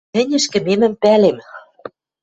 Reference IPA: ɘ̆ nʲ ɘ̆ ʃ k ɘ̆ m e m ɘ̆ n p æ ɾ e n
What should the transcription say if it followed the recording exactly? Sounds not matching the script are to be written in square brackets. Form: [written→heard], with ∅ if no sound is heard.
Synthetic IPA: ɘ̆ nʲ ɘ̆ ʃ k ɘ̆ m e m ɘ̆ [n→m] p æ [ɾ→l] e [n→m]